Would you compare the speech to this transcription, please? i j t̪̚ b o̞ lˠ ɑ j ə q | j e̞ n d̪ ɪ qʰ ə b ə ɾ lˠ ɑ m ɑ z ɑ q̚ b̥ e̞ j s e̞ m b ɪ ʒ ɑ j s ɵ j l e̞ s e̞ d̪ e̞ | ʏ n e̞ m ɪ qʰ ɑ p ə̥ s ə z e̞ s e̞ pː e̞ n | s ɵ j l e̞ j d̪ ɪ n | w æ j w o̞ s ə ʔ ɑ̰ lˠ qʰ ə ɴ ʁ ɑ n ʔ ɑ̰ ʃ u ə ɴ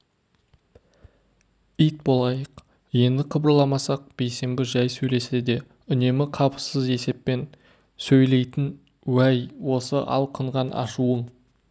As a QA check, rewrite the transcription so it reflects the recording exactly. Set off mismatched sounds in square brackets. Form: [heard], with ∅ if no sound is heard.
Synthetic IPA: i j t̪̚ b o̞ lˠ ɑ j ə q | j e̞ n d̪ ɪ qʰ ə b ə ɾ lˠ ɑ m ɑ [s] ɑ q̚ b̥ e̞ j s e̞ m b ɪ ʒ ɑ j s ɵ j l e̞ s e̞ d̪ e̞ | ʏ n e̞ m ɪ qʰ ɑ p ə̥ s ə z e̞ s e̞ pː e̞ n | s ɵ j l e̞ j [t̪] ɪ n | w æ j w o̞ s ə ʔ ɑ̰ lˠ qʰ ə ɴ ʁ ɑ n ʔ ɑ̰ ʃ u ə ɴ